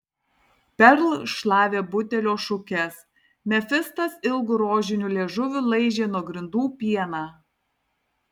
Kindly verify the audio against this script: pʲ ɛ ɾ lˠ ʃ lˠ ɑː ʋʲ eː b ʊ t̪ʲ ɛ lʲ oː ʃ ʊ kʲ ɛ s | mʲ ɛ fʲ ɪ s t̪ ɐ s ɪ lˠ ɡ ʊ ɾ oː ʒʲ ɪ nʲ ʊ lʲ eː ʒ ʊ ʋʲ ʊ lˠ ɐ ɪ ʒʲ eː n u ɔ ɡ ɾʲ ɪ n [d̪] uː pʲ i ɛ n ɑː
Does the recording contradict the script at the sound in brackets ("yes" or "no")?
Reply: no